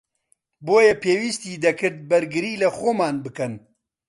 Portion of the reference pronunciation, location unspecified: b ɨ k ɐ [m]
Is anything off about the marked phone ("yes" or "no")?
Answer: yes